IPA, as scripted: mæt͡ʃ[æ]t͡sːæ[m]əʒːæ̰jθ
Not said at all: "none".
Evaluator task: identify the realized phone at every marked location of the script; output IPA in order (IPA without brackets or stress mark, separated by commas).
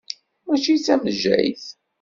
i, m